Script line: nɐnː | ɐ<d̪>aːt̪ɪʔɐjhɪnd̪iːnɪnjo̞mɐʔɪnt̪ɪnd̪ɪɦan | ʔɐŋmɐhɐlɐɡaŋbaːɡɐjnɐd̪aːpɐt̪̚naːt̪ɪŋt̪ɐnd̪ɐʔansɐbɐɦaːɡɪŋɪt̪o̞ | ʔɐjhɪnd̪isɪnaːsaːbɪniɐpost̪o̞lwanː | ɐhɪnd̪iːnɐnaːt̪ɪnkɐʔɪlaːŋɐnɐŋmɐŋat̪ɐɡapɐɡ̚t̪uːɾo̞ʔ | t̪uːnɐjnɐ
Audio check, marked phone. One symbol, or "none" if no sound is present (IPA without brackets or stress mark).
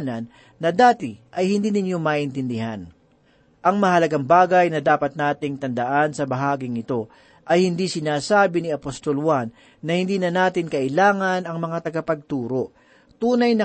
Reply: d̪